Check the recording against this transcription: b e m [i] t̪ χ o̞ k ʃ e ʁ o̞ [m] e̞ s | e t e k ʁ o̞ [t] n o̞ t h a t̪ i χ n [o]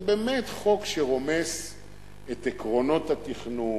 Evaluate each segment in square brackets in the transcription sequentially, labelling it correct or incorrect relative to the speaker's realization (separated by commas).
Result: incorrect, correct, incorrect, incorrect